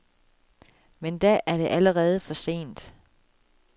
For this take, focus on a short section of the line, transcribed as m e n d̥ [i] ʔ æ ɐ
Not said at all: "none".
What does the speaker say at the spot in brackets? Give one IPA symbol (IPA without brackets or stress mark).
æ